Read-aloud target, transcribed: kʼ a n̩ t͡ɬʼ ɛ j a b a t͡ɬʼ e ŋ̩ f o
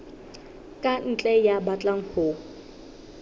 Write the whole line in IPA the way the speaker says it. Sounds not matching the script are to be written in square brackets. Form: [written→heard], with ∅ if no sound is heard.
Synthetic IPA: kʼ a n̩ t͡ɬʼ ɛ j a b a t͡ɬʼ [e→a] ŋ̩ [f→h] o

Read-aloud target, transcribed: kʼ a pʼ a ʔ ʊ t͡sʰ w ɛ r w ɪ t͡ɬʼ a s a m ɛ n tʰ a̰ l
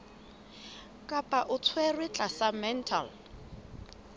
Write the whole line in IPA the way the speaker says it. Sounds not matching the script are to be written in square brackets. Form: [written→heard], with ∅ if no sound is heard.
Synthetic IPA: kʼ a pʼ a ʔ ʊ t͡sʰ w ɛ r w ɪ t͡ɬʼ a s a m ɛ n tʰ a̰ l

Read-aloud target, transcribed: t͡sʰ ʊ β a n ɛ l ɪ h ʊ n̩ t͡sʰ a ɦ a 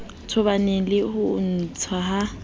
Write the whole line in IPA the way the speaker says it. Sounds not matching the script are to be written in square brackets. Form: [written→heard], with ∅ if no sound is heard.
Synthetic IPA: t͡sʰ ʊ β a n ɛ l ɪ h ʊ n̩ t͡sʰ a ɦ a

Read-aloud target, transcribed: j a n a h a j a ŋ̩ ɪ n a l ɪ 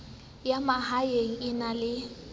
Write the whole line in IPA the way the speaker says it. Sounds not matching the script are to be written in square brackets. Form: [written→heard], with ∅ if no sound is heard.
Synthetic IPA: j a [n→m] a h a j [a→e] ŋ̩ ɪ n a l ɪ

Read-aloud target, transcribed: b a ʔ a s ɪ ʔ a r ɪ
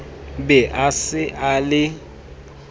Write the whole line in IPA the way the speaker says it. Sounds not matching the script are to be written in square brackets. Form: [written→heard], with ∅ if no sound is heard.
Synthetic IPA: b [a→ɛ] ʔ a s ɪ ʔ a [r→l] ɪ

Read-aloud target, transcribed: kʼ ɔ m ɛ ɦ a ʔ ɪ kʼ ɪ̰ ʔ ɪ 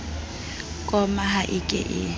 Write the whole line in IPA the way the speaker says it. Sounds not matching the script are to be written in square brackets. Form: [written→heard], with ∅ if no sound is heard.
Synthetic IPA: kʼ ɔ m [ɛ→a] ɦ a ʔ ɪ kʼ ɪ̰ ʔ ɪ

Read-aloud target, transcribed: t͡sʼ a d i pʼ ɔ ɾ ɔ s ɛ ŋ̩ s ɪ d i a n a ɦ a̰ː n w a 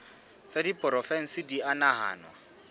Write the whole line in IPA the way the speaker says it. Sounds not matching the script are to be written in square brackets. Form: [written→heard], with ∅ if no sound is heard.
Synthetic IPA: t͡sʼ a d i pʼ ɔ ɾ ɔ [s→f] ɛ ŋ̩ s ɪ d i a n a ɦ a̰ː n w a

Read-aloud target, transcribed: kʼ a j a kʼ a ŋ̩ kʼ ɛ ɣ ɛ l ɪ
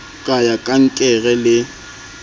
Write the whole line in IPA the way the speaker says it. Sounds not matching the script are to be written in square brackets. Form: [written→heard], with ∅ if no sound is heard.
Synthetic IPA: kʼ a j a kʼ a ŋ̩ kʼ ɛ ɣ ɛ l ɪ

